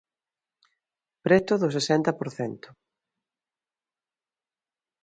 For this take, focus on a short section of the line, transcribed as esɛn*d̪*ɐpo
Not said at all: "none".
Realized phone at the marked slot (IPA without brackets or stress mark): t̪